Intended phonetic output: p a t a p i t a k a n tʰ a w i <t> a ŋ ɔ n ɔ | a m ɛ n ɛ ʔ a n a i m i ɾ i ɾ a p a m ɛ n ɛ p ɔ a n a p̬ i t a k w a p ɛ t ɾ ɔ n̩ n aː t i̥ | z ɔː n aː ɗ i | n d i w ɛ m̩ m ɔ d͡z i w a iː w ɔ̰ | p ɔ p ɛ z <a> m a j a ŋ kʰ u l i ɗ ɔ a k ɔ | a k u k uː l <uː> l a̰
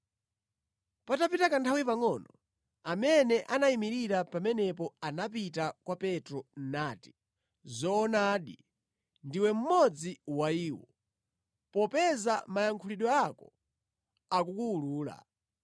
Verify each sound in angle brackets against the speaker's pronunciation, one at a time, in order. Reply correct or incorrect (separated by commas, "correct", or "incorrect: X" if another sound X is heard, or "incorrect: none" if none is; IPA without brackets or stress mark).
incorrect: p, correct, correct